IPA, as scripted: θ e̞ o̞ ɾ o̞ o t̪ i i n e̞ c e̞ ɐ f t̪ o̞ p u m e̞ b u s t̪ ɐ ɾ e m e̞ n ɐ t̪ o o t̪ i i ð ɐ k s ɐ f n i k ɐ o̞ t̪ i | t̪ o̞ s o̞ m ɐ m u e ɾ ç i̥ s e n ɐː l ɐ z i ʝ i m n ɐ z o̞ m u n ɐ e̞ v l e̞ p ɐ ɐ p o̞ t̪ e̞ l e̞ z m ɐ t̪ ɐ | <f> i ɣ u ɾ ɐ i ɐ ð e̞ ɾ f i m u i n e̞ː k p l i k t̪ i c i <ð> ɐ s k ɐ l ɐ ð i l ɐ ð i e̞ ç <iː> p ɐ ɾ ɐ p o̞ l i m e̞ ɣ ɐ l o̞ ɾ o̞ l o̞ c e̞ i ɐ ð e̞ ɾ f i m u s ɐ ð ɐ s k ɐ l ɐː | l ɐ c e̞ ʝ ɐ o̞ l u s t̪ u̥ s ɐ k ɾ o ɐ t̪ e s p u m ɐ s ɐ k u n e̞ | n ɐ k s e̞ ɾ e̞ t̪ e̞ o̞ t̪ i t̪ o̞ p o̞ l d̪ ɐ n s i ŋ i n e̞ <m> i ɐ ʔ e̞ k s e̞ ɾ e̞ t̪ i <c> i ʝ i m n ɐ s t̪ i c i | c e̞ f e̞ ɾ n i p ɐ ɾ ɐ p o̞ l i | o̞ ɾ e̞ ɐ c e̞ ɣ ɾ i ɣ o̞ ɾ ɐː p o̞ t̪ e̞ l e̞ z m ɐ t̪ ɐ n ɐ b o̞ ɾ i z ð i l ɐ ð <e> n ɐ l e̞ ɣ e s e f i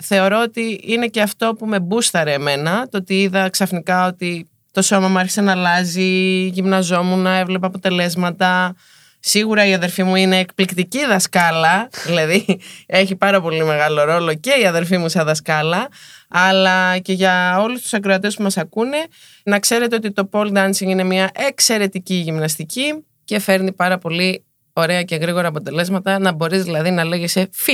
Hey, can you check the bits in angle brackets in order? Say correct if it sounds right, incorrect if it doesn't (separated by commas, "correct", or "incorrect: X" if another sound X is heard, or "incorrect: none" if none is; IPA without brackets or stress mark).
incorrect: s, correct, incorrect: i, correct, correct, incorrect: i